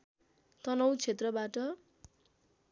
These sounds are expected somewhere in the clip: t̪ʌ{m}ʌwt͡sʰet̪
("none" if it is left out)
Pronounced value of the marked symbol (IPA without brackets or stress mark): n